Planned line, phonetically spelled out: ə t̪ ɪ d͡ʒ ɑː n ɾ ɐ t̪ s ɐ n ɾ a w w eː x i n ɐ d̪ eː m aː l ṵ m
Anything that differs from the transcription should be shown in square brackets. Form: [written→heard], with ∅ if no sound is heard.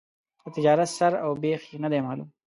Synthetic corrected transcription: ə t̪ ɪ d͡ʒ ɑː [n→∅] ɾ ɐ t̪ s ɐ [n→∅] ɾ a w [w→b] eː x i n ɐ d̪ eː m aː l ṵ m